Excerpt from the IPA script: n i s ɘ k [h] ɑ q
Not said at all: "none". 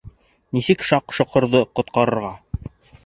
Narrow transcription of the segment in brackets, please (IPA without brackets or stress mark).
ʃ